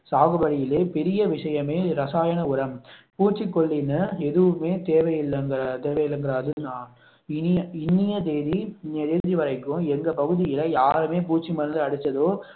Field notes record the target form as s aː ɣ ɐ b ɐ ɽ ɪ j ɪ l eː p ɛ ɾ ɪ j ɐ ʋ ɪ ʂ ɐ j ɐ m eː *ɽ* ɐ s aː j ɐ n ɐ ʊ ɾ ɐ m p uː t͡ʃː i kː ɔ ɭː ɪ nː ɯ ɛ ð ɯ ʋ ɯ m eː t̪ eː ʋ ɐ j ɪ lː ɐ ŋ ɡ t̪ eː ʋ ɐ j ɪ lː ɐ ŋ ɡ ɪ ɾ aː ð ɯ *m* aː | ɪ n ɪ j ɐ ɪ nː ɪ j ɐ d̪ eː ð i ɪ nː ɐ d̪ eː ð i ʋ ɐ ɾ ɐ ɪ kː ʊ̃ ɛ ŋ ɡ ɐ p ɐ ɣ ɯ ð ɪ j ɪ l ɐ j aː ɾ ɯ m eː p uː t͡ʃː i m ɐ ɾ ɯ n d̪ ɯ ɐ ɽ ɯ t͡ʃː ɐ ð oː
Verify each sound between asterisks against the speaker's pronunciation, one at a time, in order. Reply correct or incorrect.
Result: incorrect, incorrect

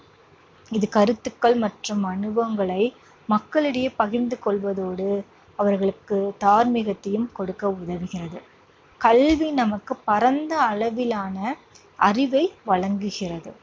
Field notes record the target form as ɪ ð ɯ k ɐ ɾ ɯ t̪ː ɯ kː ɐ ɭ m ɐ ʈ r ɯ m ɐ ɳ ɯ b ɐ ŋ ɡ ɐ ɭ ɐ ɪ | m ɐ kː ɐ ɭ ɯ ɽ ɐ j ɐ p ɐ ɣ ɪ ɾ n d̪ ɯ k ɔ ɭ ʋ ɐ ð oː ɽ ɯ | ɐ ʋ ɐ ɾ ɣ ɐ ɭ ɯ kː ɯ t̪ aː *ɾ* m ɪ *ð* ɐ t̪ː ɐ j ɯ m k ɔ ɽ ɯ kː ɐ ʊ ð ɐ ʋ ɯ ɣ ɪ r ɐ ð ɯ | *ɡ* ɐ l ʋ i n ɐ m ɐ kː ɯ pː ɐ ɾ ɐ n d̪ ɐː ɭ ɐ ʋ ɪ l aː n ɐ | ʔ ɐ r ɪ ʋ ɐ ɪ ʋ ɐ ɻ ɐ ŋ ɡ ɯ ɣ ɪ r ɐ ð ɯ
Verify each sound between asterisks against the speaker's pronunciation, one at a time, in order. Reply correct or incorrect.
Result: correct, incorrect, incorrect

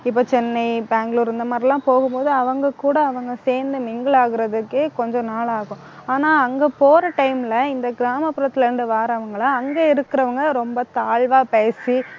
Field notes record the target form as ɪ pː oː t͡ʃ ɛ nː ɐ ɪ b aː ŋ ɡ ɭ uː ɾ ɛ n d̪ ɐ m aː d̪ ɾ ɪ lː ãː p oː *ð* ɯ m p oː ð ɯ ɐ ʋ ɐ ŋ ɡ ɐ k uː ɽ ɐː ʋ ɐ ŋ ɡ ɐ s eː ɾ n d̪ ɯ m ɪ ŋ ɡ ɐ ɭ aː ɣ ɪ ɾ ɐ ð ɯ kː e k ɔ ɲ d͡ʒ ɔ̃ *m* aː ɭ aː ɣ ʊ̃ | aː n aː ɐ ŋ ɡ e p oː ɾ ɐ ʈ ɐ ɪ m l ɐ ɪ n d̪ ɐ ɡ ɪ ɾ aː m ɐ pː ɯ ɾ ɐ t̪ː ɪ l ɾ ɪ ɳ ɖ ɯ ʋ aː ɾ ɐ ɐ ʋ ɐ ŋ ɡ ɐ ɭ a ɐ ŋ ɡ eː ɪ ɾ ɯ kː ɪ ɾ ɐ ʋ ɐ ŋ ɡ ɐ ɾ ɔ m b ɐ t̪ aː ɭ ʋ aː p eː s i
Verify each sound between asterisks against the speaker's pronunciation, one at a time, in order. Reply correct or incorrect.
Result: incorrect, incorrect

